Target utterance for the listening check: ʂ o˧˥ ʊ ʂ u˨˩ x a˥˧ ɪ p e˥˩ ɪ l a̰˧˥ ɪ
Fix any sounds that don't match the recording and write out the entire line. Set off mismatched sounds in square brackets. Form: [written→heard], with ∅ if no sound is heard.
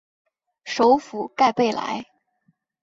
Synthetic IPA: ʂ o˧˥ ʊ [ʂ→f] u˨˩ [x→k] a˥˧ ɪ p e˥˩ ɪ l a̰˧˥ ɪ